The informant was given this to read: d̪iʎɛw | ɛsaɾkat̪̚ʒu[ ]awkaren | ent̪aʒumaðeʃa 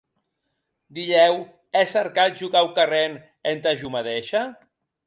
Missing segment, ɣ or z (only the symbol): ɣ